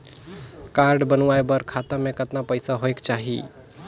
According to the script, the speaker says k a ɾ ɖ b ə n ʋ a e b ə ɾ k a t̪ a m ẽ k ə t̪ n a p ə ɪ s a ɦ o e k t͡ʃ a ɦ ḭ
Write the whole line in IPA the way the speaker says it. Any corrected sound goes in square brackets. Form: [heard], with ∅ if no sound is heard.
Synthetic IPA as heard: k a ɾ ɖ b ə n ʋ a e b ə ɾ [kʰ] a t̪ a m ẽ k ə t̪ n a p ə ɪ s a ɦ o e k t͡ʃ a ɦ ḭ